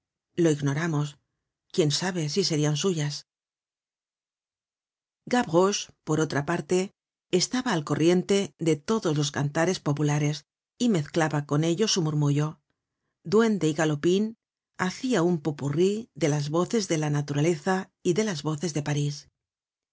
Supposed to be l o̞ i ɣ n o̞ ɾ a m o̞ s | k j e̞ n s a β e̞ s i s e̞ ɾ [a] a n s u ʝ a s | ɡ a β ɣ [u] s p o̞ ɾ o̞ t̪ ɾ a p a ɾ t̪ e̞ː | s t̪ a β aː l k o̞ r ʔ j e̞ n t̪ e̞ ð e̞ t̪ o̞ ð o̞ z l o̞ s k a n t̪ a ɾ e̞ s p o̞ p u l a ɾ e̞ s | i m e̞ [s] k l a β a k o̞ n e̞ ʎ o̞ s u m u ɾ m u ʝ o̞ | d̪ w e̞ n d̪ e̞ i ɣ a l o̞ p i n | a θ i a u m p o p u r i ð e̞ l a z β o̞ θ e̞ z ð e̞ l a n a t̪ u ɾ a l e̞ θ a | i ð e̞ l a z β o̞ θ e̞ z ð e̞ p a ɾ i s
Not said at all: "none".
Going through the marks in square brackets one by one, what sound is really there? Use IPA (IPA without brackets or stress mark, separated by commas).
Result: i, o, θ